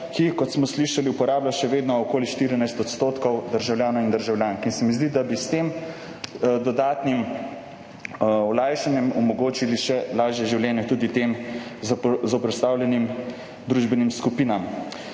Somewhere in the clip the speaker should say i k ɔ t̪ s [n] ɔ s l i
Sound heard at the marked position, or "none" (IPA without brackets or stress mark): m